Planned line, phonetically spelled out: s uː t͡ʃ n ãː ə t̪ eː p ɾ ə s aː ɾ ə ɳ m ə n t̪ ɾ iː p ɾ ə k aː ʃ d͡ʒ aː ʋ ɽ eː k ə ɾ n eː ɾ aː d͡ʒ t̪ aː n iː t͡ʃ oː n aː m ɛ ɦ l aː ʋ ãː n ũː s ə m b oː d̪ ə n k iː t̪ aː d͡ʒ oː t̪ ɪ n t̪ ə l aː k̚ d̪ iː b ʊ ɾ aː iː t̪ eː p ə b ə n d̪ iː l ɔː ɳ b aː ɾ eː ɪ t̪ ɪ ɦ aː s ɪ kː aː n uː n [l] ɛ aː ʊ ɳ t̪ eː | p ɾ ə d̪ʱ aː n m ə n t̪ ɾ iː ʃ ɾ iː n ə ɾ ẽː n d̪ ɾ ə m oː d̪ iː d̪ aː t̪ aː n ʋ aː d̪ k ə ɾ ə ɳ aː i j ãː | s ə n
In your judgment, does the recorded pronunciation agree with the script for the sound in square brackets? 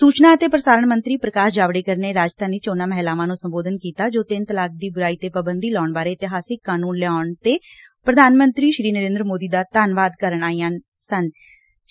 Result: yes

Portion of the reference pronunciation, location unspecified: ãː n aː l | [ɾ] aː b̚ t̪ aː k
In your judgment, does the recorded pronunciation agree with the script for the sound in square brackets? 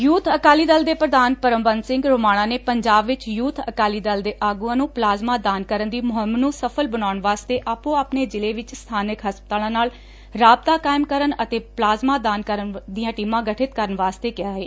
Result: yes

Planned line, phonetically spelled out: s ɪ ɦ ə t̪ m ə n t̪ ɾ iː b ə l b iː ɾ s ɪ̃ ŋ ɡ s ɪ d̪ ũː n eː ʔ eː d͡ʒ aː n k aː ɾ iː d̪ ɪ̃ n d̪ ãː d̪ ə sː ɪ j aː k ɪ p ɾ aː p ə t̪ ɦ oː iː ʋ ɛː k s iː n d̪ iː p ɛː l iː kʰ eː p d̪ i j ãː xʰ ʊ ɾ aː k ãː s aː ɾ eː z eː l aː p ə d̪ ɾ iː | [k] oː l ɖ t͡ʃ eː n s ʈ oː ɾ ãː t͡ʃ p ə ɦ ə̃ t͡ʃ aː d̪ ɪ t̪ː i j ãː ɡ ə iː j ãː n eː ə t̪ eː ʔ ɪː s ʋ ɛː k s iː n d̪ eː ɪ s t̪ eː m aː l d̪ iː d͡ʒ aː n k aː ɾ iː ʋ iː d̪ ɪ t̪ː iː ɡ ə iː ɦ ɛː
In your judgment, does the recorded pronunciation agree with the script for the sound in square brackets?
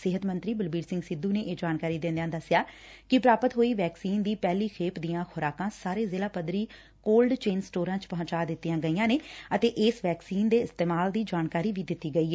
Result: yes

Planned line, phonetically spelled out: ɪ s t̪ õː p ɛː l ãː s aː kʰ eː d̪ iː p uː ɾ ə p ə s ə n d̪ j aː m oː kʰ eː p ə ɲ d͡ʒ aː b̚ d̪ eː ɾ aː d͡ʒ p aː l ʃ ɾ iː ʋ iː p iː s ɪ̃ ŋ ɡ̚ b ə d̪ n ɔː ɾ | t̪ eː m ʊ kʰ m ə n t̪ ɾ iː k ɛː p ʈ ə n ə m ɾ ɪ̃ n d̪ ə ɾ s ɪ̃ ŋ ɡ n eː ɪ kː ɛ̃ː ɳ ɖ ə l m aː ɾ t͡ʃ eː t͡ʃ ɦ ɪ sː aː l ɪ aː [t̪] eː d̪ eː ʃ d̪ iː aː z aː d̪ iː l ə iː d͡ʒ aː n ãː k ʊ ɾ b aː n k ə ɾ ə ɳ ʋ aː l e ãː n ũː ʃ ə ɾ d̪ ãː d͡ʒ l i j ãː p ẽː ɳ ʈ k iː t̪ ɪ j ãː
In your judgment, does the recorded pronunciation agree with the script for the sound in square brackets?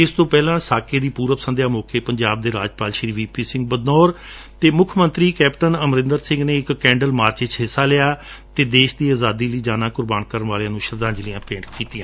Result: yes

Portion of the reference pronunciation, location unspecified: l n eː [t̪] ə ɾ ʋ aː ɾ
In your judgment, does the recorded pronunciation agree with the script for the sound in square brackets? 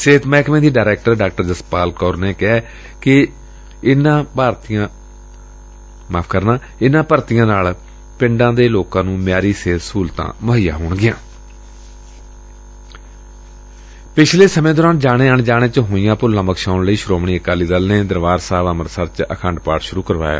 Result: no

